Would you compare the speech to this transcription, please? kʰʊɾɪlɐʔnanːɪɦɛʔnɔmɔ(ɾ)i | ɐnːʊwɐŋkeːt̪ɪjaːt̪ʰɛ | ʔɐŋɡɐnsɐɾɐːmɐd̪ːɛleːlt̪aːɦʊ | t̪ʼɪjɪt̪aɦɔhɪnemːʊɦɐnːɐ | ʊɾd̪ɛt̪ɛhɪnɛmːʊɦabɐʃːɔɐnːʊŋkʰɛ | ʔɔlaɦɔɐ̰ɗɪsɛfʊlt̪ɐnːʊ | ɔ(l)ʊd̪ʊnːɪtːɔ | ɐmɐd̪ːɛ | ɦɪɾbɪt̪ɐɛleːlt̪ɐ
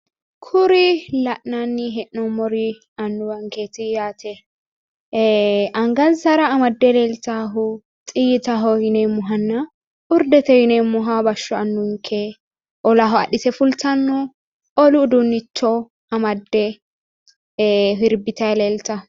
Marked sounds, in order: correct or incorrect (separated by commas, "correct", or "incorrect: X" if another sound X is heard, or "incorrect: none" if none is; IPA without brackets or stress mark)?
correct, correct